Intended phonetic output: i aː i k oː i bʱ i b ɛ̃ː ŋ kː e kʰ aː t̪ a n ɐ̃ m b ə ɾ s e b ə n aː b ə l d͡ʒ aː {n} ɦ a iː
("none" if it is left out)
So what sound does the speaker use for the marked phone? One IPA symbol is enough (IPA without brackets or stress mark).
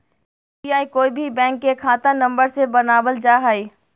none